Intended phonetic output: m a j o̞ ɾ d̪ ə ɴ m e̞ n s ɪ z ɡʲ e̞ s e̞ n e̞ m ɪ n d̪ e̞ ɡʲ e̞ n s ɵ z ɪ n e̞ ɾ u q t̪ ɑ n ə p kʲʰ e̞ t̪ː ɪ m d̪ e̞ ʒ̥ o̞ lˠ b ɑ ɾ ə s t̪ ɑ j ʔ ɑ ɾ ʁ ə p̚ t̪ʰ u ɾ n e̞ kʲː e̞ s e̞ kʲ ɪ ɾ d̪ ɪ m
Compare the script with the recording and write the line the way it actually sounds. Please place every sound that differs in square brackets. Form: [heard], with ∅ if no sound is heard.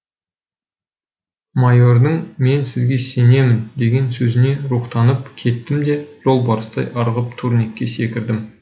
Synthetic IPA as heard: m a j o̞ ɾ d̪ ə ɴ m e̞ n s ɪ z ɡʲ e̞ s e̞ n e̞ m ɪ n d̪ e̞ ɡʲ e̞ n s ɵ z ɪ n e̞ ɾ u q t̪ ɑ n ə p kʲʰ e̞ t̪ː ɪ m d̪ e̞ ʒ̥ o̞ lˠ b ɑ ɾ ə s t̪ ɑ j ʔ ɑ ɾ ʁ ə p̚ t̪ʰ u ɾ n e̞ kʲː e̞ s e̞ kʲ ɪ ɾ d̪ ɪ m